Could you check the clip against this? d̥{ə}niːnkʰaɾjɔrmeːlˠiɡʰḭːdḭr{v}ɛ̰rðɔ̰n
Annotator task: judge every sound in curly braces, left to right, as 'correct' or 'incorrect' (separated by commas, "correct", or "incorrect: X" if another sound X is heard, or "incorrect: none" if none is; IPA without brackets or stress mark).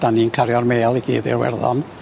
incorrect: a, incorrect: w